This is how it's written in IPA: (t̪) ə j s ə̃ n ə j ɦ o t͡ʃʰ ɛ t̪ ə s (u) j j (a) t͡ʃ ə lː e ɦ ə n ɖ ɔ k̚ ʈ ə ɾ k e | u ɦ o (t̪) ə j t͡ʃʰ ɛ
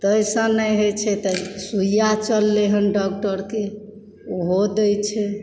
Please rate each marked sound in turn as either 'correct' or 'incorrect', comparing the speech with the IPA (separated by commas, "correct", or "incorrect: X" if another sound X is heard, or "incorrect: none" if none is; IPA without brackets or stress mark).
correct, correct, correct, incorrect: d̪